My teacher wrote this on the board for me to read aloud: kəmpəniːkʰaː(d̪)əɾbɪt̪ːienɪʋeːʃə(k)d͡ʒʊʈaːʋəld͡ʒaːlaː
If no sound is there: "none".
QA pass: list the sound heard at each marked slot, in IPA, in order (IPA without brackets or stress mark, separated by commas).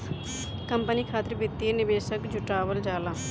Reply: t̪, k